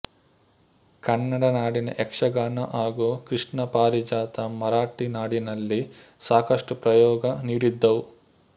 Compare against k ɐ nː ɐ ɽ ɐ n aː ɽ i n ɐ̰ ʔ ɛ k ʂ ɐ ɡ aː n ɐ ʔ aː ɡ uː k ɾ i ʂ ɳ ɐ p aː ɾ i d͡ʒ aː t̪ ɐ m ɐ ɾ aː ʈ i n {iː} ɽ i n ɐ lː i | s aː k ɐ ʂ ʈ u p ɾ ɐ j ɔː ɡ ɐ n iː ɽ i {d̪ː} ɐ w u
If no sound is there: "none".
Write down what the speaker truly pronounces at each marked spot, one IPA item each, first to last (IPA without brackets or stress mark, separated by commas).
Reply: aː, d̪ː